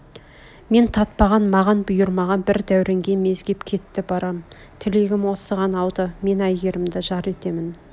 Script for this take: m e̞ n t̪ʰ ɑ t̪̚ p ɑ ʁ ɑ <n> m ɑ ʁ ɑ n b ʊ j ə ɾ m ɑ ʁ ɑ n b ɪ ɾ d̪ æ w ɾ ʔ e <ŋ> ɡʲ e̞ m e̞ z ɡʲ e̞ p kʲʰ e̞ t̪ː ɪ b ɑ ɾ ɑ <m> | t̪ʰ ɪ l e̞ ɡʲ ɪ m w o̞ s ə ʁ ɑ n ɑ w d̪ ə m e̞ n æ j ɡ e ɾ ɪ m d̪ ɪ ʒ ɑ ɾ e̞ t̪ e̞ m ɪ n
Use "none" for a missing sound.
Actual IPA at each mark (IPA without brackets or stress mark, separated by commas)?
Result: n, ŋ, m